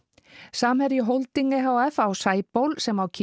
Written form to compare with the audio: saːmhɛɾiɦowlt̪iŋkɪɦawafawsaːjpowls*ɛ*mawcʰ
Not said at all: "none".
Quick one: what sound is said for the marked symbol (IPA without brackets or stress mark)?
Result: ɛ